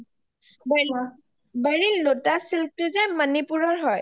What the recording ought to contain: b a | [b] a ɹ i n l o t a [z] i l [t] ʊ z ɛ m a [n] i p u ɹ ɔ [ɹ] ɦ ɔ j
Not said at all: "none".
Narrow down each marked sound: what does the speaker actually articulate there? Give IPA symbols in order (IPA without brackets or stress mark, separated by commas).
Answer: b, s, t, n, ɹ